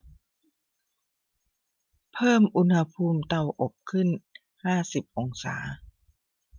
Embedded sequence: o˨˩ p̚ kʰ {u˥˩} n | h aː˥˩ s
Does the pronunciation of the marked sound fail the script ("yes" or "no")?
yes